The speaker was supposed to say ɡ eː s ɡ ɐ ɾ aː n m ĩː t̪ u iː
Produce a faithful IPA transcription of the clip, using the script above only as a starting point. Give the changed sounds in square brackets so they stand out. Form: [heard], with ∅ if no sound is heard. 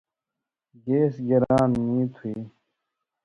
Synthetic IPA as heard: ɡ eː s ɡ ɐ ɾ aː n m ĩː [t̪ʰ] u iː

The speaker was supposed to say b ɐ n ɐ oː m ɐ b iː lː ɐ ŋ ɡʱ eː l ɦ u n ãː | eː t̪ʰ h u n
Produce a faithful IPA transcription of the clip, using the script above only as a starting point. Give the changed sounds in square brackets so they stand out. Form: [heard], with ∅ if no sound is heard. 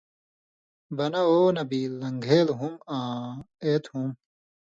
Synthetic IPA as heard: b ɐ n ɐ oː [n] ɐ b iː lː ɐ ŋ ɡʱ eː l ɦ u [m] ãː | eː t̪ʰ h u [m]

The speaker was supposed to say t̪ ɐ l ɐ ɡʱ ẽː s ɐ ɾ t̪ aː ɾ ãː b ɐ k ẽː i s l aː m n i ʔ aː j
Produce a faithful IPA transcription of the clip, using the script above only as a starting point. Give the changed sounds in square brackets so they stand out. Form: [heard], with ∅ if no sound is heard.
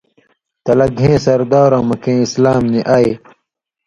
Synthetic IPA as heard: t̪ ɐ l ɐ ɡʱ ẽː s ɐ ɾ [d̪] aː ɾ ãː [m] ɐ k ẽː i s l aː m n i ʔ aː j

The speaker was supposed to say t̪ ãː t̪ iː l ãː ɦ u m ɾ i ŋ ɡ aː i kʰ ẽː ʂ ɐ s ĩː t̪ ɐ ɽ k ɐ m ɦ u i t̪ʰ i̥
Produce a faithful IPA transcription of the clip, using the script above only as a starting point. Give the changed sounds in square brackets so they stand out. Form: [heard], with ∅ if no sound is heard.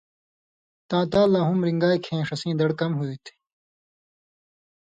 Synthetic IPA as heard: t̪ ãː t̪ [aː] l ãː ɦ u m ɾ i ŋ ɡ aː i kʰ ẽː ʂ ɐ s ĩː [d̪] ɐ ɽ k ɐ m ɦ u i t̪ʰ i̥

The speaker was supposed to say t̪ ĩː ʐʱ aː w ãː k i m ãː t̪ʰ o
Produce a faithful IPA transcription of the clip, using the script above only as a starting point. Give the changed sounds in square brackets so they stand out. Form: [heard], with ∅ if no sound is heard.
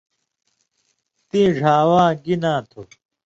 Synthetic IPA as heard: t̪ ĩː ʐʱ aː w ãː [ɡ] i [n] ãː t̪ʰ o

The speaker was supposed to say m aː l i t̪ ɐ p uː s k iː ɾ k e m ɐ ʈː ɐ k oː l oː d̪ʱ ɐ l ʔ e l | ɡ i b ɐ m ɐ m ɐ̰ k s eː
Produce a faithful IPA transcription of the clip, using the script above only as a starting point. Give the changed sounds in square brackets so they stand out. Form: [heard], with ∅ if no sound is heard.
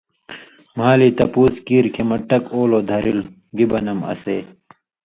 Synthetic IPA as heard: m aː l i t̪ ɐ p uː s k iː ɾ [kʰ] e m ɐ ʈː ɐ k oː l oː d̪ʱ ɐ [ɾ] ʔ [i] l | ɡ i b ɐ [n] ɐ m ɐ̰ [∅] s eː

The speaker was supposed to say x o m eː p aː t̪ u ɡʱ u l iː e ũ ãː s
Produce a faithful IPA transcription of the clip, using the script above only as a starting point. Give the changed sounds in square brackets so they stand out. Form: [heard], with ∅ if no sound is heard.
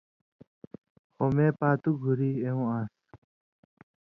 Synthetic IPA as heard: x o m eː p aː t̪ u ɡʱ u [ɾ] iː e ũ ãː s

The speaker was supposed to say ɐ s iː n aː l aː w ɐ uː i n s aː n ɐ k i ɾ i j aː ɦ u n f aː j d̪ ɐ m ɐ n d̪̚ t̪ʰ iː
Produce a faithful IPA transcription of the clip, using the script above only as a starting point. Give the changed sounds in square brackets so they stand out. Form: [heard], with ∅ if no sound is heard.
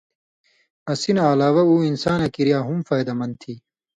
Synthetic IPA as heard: ɐ s [i] n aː l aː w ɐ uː i n s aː n ɐ k i ɾ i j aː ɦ u [m] f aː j d̪ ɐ m ɐ n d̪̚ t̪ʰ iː

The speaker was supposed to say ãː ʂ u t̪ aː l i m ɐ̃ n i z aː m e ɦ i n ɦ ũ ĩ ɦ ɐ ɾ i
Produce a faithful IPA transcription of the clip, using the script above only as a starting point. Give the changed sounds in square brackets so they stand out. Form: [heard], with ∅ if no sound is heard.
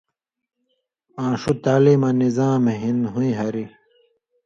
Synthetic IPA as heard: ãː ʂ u t̪ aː l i m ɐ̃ n i z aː m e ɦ i n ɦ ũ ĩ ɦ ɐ ɾ i

